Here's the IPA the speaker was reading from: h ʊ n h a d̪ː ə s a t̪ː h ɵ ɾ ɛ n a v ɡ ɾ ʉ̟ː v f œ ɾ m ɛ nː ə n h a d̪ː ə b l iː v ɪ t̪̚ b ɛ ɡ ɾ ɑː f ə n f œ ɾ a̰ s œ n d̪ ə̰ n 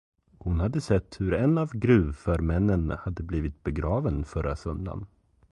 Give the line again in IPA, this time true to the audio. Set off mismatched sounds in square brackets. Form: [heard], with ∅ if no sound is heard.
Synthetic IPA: h ʊ n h a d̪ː ə s [ɛ] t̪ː h ɵ ɾ ɛ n a v ɡ ɾ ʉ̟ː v f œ ɾ m ɛ nː ə n h a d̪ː ə b l iː v ɪ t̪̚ b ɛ ɡ ɾ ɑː [v] ə n f œ ɾ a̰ s œ n d̪ [a̰] n